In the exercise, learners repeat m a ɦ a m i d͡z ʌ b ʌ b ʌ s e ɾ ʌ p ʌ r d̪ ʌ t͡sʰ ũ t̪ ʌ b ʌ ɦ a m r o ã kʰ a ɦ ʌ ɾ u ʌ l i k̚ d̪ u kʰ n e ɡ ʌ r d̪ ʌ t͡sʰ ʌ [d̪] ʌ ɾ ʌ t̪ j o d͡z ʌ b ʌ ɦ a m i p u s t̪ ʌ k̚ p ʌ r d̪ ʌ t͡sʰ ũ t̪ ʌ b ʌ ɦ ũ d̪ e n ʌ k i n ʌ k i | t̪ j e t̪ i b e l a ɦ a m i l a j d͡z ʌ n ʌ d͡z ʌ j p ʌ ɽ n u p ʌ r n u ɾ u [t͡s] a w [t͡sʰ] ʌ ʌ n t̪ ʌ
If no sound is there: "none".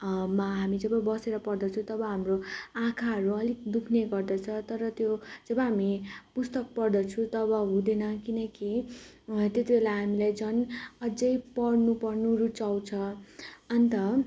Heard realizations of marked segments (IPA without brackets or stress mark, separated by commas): t̪, t͡s, t͡sʰ